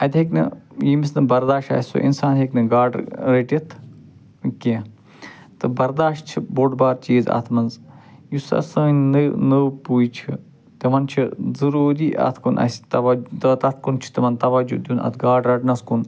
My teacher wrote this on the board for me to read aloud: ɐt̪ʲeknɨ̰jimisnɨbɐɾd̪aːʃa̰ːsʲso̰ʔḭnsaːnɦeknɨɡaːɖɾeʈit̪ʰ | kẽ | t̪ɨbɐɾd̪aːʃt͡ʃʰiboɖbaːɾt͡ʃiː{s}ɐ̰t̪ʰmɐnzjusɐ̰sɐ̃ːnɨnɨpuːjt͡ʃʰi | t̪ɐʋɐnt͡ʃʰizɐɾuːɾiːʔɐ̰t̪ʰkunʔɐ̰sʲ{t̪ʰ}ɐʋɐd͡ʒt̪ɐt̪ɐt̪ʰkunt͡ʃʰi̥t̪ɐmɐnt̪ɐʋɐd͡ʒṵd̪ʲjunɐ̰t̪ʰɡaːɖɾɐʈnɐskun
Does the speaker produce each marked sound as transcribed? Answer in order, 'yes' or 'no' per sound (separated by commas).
no, no